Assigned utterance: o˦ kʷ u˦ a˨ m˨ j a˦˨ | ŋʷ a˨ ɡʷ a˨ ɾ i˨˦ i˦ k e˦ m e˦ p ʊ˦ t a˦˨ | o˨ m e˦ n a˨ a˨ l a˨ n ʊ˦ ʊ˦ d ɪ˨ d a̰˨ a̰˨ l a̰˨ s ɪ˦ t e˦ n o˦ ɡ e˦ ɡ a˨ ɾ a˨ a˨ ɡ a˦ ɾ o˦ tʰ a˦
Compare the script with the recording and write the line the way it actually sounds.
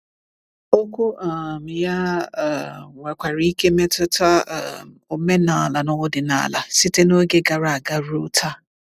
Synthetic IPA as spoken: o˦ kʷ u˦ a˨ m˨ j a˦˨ | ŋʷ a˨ kʷ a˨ ɾ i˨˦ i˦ k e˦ m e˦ t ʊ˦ t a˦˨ | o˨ m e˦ n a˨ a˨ l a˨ n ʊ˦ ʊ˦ d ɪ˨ n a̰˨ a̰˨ l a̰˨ s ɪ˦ t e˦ n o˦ ɡ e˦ ɡ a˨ ɾ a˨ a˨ ɡ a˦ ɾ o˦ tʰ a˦